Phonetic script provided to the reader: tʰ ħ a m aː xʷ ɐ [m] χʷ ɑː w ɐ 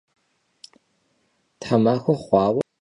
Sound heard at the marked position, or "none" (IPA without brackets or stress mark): none